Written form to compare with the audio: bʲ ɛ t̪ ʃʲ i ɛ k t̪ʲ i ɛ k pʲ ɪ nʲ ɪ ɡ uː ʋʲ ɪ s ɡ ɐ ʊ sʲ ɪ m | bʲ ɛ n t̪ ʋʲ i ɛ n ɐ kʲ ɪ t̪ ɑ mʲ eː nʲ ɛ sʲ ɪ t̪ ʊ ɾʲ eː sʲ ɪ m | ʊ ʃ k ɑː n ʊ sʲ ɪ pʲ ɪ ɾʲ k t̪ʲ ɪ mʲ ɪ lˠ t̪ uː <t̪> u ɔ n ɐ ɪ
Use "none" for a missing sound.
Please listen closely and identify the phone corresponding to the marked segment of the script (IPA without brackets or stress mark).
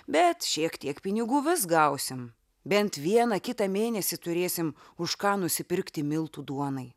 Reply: d̪